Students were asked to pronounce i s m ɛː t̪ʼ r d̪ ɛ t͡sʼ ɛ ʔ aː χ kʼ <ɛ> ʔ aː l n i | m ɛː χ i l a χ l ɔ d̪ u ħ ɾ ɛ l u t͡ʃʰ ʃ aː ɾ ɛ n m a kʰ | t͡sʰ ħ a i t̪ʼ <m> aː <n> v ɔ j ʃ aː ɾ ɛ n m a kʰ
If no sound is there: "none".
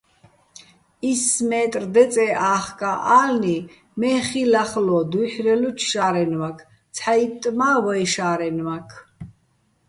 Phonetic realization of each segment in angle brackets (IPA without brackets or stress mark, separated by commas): a, m, none